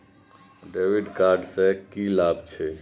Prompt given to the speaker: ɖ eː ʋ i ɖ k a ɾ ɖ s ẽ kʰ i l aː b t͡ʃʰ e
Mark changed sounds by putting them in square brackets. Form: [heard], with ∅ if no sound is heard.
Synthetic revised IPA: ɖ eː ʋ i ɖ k a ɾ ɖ s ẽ [k] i l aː b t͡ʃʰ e

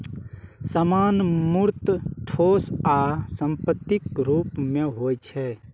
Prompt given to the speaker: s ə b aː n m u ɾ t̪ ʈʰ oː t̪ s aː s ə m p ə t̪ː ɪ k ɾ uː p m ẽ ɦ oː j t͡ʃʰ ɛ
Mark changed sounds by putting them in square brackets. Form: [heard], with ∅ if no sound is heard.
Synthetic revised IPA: s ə [m] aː n m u ɾ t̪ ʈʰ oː [∅] s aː s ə m p ə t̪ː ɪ k ɾ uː p m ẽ ɦ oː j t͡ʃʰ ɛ

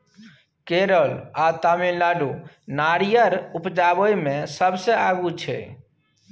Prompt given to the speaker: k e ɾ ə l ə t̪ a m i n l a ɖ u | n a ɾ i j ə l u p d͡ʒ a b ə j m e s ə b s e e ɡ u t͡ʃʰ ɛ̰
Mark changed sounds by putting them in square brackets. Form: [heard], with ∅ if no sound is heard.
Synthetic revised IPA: k e ɾ ə l [a] t̪ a m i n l a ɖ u | n a ɾ i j ə [ɾ] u p d͡ʒ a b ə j m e s ə b s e [a] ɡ u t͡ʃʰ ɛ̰

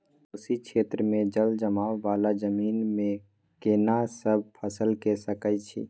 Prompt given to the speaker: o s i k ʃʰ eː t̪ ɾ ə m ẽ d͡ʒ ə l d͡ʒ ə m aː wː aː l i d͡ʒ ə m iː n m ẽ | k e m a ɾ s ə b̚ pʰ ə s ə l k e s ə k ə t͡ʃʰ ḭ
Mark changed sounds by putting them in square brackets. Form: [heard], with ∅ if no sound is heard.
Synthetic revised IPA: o s i k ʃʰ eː t̪ ɾ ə m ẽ d͡ʒ ə l d͡ʒ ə m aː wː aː l [a] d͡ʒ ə m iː n m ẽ | k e [n] a [∅] s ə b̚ pʰ ə s ə l k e s ə k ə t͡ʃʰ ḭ

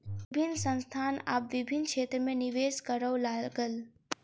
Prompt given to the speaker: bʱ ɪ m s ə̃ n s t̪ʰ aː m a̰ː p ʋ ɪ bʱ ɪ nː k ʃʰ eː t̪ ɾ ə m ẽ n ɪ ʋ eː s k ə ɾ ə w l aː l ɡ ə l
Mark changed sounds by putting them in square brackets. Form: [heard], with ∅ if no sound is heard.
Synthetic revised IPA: bʱ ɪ [n] s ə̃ n s t̪ʰ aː [n] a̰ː p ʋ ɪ bʱ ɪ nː k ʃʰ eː t̪ ɾ ə m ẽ n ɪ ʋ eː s k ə ɾ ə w l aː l ɡ ə l

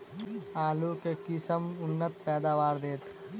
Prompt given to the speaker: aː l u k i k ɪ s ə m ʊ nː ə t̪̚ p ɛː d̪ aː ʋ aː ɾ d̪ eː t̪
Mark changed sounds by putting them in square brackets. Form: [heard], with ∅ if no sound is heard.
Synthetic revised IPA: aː l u k [e] k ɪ s ə m ʊ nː ə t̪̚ p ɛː d̪ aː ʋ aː ɾ d̪ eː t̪

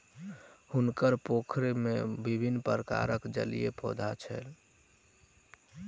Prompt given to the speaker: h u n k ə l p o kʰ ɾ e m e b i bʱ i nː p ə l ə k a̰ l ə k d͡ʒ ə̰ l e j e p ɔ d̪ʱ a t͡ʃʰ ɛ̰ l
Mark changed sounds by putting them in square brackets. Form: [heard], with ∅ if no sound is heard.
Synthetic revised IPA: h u n k ə [ɾ] p o kʰ ɾ e m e b i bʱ i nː p ə [ɾ] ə k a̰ [ɾ] ə k d͡ʒ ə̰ l [i] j e p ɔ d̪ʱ a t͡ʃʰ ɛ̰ l

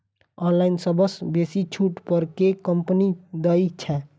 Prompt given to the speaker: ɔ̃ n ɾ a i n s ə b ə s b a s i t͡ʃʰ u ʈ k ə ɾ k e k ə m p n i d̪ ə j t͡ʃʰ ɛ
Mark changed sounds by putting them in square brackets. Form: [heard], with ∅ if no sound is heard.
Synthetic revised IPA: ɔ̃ n [l] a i n s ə b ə s b [e] s i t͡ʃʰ u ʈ [p] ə ɾ k e k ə m p n i d̪ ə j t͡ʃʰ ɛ

